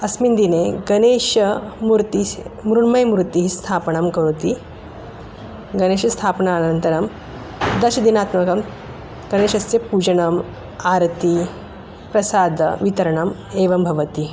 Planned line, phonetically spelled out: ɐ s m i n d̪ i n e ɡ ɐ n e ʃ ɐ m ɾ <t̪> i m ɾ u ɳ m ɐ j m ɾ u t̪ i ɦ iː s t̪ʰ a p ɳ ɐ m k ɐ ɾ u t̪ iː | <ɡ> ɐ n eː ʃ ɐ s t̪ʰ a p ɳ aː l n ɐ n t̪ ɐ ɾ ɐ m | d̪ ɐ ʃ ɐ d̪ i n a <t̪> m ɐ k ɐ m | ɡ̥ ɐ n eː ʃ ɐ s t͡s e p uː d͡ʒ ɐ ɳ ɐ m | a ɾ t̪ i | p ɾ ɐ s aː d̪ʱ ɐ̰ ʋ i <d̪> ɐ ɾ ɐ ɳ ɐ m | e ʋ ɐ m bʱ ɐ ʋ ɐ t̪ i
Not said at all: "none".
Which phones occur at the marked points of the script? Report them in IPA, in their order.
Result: t̪, ɡ, t̪, t̪

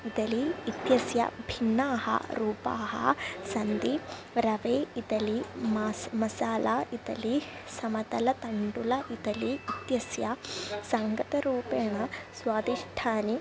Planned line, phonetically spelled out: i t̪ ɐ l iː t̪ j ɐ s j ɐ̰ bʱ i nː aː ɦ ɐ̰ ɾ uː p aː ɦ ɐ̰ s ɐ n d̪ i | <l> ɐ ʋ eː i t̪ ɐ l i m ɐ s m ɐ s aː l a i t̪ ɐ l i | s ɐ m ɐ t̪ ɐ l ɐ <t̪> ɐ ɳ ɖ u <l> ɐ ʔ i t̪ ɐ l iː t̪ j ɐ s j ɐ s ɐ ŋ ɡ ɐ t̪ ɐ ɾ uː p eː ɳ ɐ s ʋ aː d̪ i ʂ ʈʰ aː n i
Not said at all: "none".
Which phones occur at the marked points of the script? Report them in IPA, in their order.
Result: ɾ, t̪, l

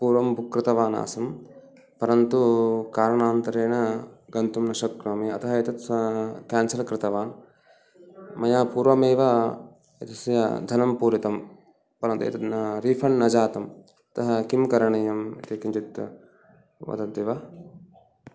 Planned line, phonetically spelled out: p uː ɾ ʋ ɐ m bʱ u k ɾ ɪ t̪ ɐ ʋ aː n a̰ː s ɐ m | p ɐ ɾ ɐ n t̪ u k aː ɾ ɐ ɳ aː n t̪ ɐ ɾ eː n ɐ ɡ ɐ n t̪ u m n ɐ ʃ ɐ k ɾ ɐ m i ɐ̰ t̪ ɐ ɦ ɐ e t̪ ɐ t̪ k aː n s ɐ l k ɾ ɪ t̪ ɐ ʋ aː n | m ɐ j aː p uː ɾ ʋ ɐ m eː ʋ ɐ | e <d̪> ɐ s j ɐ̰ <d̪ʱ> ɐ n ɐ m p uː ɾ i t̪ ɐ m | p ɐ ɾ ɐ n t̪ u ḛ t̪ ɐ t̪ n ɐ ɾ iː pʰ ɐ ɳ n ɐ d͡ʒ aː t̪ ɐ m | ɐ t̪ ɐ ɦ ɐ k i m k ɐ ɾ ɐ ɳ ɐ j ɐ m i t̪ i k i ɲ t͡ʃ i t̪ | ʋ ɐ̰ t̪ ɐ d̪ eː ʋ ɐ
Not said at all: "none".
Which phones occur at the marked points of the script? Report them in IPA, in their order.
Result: t̪, d̪ʱ

